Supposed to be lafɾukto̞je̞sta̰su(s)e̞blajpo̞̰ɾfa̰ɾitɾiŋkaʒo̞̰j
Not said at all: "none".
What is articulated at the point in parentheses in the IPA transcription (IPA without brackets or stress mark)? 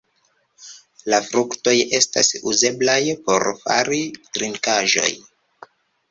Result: z